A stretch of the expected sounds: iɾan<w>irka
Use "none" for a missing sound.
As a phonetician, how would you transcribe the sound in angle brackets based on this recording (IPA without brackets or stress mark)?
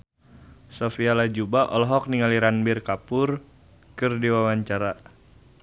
b